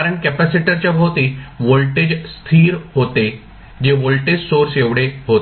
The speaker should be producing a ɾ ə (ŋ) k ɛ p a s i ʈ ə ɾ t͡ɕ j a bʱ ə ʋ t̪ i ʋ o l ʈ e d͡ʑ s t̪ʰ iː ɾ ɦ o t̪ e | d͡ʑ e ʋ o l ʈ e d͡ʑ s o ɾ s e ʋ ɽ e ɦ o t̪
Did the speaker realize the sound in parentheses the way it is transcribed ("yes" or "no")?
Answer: no